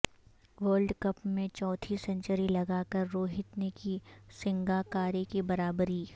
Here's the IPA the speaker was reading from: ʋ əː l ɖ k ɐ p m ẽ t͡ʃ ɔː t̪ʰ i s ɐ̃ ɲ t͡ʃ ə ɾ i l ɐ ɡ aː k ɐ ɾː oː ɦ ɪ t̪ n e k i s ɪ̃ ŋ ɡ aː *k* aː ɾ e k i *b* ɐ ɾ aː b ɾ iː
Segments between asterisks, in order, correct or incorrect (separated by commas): correct, correct